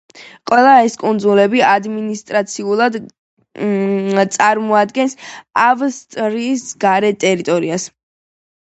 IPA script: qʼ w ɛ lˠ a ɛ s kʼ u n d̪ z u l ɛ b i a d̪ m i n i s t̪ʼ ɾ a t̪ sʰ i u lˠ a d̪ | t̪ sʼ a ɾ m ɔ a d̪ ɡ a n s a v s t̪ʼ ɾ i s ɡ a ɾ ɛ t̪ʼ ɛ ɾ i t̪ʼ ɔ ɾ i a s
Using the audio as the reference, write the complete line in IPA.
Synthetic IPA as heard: qʼ w ɛ lˠ a ɛ s kʼ u n d̪ z u l ɛ b i a d̪ m i n i s t̪ʼ ɾ a t̪ sʰ i u lˠ a d̪ | t̪ sʼ a ɾ m ɔ a d̪ ɡ ɛ n s a v s t̪ʼ ɾ i s ɡ a ɾ ɛ t̪ʼ ɛ ɾ i t̪ʼ ɔ ɾ i a s

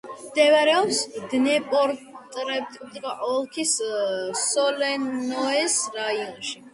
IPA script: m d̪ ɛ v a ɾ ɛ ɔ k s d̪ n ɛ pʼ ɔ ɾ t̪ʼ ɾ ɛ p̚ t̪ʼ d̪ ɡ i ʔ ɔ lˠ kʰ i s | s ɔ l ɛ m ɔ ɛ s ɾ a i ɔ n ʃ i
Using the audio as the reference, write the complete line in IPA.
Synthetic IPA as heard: m d̪ ɛ v a ɾ ɛ ɔ p s d̪ n ɛ pʼ ɔ ɾ t̪ʼ ɾ ɛ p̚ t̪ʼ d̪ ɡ a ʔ ɔ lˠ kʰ i s | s ɔ l ɛ n ɔ ɛ s ɾ a i ɔ n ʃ i

